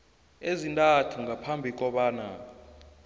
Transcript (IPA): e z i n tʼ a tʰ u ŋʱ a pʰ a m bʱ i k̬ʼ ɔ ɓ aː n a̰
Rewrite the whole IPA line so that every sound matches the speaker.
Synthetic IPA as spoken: e z i n tʼ a tʰ u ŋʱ a pʰ a m bʱ i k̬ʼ ɔ ɓ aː n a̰